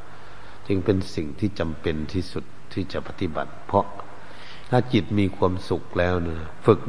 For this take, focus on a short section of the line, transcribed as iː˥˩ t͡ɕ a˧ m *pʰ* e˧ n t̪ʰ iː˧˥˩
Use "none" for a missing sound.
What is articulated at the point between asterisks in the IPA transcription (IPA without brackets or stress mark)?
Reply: p